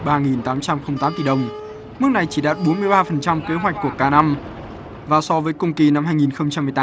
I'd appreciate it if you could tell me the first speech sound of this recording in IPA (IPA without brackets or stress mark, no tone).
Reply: ɓ